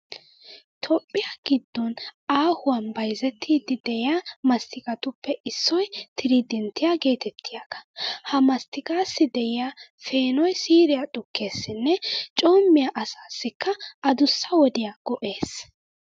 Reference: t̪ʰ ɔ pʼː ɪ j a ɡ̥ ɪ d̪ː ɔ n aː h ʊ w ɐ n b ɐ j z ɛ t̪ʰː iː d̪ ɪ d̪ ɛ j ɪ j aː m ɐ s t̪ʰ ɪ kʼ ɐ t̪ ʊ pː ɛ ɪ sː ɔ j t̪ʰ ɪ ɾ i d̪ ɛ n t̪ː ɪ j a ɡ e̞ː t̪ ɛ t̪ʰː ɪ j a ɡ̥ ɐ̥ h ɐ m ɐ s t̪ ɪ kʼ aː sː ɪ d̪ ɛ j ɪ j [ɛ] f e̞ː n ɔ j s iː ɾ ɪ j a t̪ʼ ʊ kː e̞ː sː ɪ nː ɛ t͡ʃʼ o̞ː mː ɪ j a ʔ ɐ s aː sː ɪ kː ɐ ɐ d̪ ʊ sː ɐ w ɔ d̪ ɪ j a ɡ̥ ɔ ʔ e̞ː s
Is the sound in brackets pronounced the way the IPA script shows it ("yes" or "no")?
no